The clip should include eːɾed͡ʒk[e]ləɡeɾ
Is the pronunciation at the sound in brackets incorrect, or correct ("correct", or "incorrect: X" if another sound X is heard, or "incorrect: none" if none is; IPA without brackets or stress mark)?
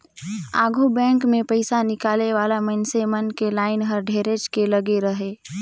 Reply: correct